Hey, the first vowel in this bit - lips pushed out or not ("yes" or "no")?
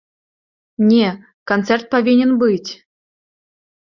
no